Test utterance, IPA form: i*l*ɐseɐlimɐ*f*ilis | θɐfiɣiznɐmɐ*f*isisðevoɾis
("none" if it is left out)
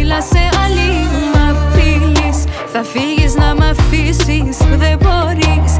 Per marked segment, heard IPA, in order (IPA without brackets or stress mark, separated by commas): l, f, f